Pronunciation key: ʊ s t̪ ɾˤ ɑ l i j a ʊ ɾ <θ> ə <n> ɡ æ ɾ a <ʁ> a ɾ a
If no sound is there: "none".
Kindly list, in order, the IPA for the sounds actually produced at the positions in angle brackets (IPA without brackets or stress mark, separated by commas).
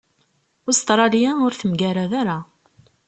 θ, m, ð